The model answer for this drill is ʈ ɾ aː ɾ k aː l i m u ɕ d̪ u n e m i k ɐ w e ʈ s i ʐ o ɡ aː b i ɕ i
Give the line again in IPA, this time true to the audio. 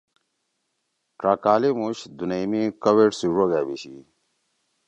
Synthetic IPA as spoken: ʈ ɾ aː k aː l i m u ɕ d̪ u n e m i k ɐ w e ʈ s i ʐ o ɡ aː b i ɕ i